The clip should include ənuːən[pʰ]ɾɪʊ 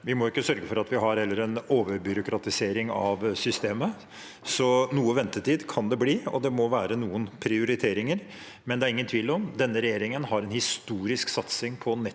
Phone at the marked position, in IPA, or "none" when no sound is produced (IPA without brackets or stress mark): pʰ